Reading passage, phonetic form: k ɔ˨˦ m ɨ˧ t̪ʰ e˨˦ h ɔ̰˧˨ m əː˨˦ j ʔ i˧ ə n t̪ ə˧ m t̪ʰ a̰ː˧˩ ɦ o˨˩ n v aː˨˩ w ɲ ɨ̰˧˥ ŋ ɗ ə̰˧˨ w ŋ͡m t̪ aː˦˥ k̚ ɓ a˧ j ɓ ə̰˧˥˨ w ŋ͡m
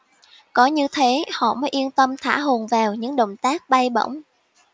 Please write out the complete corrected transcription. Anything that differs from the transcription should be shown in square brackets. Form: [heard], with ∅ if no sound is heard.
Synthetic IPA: k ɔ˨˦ [ɲ] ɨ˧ t̪ʰ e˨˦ h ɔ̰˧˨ m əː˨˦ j ʔ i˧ ə n t̪ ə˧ m t̪ʰ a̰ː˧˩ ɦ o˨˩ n v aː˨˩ w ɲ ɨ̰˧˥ ŋ ɗ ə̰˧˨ w ŋ͡m t̪ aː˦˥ k̚ ɓ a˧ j ɓ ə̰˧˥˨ w ŋ͡m